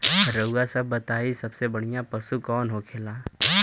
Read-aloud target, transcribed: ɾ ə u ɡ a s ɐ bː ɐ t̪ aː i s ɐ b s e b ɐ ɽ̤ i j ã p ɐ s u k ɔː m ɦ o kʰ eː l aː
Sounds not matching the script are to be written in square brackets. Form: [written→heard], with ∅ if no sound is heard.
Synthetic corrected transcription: ɾ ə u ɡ a s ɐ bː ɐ t̪ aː i s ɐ b s e b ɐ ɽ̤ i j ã p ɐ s u k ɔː [m→n] ɦ o kʰ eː l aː